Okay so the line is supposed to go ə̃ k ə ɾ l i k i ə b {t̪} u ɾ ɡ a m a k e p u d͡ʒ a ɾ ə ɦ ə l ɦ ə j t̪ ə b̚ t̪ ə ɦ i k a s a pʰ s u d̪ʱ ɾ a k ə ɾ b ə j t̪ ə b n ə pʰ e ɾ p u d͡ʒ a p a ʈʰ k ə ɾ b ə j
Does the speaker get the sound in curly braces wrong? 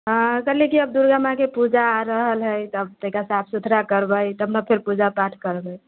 yes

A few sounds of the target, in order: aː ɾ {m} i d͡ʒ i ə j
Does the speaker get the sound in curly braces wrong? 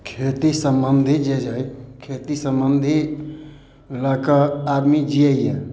no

